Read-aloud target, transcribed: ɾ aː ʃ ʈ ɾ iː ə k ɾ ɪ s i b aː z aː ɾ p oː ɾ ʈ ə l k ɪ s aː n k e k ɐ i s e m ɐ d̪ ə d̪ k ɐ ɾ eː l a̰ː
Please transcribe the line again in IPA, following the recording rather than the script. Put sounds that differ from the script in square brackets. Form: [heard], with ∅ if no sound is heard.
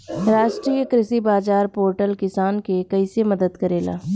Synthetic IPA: ɾ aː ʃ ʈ ɾ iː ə k ɾ ɪ s i b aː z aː ɾ p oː ɾ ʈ ə l k ɪ s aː n k e k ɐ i s e m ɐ d̪ ə d̪ k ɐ ɾ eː l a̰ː